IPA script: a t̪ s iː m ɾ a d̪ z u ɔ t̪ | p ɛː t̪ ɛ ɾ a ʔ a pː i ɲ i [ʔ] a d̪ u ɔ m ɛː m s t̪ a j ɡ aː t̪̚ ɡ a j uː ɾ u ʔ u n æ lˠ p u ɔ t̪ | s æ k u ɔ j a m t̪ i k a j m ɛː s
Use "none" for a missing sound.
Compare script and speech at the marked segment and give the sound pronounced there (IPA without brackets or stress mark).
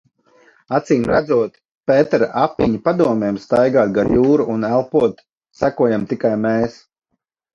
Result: p